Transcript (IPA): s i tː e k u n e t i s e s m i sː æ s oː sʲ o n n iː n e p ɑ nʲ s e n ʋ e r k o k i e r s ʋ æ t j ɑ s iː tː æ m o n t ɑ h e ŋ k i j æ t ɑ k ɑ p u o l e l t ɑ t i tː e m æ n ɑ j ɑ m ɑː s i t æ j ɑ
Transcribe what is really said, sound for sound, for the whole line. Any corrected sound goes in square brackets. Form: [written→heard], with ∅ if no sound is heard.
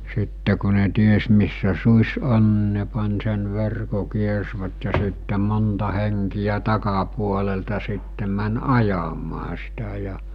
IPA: s i tː e k u n e t i [s→∅] e s m i sː æ s [oː→uː] sʲ o n n [iː→i] n e p ɑ nʲ s e n ʋ e r k o k i e r s ʋ æ t j ɑ s [iː→i] tː [æ→e] m o n t ɑ h e ŋ k i j æ t ɑ k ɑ p u o l e l t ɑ [t→s] i tː e m æ n ɑ j ɑ m ɑː s i t æ j ɑ